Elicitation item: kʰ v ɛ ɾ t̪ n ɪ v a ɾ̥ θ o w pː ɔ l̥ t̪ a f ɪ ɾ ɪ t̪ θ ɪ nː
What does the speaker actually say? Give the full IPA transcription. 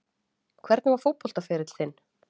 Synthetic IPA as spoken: kʰ v ɛ ɾ t̪ n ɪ v a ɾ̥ f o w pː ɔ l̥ t̪ a f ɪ ɾ ɪ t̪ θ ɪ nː